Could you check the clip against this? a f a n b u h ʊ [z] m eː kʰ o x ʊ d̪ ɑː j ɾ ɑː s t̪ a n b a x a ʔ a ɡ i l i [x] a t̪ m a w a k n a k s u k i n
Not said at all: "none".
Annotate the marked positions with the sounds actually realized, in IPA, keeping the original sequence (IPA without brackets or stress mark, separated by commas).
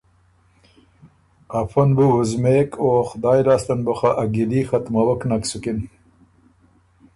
z, x